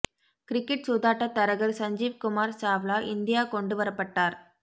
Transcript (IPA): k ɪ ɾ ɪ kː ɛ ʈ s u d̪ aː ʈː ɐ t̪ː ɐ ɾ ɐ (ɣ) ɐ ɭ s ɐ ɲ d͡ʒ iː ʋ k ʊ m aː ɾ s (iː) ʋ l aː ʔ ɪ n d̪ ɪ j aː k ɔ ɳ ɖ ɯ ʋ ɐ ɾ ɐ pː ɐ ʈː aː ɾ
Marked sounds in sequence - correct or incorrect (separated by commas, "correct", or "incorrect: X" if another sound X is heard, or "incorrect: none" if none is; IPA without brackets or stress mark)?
correct, incorrect: aː